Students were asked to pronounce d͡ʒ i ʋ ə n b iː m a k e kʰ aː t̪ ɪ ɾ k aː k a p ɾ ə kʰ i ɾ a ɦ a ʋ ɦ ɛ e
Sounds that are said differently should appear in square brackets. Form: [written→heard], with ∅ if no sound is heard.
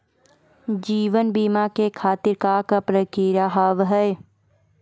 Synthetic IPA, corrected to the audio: d͡ʒ [i→iː] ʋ ə n b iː m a k e kʰ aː t̪ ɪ ɾ k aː k a p ɾ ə [kʰ→k] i ɾ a ɦ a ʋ ɦ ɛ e

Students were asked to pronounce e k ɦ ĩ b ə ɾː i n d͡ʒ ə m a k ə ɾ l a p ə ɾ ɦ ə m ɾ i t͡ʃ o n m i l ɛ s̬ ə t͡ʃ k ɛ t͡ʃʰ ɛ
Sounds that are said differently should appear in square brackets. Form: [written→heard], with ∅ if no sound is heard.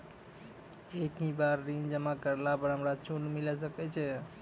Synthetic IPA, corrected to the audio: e k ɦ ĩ b [ə→a] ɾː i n d͡ʒ ə m a k ə ɾ l a p ə ɾ ɦ ə m ɾ [i→a] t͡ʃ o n m i l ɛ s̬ ə [t͡ʃ→∅] k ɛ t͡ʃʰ ɛ

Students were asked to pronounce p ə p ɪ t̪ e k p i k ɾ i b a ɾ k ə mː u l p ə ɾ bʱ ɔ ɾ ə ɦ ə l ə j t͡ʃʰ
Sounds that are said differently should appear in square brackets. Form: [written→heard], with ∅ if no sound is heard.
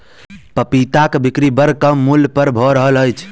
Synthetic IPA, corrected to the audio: p ə p [ɪ→i] t̪ [e→a] k [p→b] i k ɾ i b [a→ə] ɾ k ə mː u l p ə ɾ bʱ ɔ ɾ ə ɦ ə l ə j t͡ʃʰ

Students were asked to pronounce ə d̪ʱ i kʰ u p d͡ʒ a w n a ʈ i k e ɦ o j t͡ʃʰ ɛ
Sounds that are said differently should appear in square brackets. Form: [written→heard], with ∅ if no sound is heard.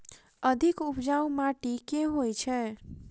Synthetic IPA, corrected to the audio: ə d̪ʱ i [kʰ→k] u p d͡ʒ a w [n→m] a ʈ i k e ɦ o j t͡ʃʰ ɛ

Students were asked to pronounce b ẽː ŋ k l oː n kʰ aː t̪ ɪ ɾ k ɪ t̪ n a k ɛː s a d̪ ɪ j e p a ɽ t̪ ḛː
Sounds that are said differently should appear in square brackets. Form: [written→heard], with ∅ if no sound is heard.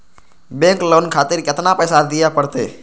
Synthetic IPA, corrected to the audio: b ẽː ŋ k l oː n kʰ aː t̪ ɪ ɾ k ɪ t̪ n a [k→p] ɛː s a d̪ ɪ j [e→a] p [a→ə] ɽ t̪ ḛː

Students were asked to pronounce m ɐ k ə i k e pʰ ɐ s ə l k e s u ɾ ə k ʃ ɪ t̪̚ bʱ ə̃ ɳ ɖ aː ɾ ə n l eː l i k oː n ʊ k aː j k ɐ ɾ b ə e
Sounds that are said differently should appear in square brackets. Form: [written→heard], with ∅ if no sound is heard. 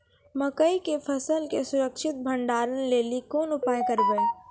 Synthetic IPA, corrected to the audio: m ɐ k ə i k e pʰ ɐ s ə l k e s [u→ʊ] ɾ ə k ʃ ɪ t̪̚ bʱ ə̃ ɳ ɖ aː ɾ ə n l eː l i k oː n ʊ [k→p] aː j k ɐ ɾ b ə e

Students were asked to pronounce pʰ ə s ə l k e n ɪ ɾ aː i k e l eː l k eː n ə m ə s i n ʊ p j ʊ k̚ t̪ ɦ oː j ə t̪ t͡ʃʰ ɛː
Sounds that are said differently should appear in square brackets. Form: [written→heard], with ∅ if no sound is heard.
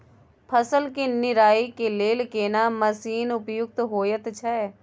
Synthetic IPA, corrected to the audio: pʰ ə s ə l k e n ɪ ɾ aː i k e l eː l k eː n [ə→a] m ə s [i→iː] n ʊ p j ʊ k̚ t̪ ɦ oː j ə t̪ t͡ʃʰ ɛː

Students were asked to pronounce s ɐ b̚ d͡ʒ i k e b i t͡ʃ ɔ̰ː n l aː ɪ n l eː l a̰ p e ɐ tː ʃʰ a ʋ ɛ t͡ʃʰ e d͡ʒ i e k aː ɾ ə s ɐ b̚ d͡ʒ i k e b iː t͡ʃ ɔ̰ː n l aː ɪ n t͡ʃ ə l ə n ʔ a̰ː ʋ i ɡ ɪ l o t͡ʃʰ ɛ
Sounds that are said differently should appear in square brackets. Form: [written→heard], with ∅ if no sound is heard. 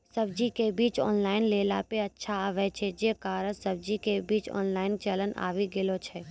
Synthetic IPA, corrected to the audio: s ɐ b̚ d͡ʒ i k e b [i→iː] t͡ʃ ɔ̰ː n l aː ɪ n l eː l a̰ p e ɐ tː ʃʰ a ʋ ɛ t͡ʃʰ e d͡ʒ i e k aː ɾ ə s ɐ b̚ d͡ʒ i k e b iː t͡ʃ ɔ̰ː n l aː ɪ n t͡ʃ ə l ə n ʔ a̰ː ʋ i ɡ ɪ l o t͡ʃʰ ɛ

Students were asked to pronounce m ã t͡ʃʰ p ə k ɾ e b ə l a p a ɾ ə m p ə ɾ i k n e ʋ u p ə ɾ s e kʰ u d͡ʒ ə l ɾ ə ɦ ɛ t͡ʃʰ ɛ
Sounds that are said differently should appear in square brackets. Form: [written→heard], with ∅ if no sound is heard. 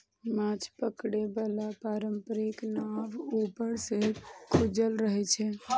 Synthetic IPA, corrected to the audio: m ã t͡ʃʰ p ə k [ɾ→ɽ] e b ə l a p a ɾ ə m p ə ɾ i k n [e→a] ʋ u p ə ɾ s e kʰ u d͡ʒ ə l ɾ ə ɦ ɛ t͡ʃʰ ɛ

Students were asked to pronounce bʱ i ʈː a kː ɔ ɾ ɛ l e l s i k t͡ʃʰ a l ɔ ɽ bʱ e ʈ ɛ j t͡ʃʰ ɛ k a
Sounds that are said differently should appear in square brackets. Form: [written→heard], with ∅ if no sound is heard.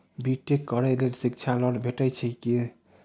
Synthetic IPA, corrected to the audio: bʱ i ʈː [a→e] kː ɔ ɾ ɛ l e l s i k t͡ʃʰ a l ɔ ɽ bʱ e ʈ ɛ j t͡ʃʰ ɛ k [a→i]

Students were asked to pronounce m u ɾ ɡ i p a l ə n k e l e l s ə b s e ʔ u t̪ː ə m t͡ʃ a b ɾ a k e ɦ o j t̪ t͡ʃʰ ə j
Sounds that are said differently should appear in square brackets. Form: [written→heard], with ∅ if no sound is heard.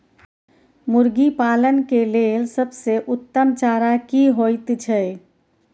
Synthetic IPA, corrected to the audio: m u ɾ ɡ i p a l ə n k e l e l s ə b s e ʔ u t̪ː ə m t͡ʃ a [b→∅] ɾ a k [e→i] ɦ o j t̪ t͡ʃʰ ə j

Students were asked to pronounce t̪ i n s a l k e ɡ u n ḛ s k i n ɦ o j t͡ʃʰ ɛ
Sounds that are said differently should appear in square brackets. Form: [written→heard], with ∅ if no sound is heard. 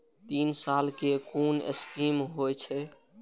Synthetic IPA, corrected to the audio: t̪ i n s a l k e [ɡ→k] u n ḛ s k i [n→m] ɦ o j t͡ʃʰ ɛ

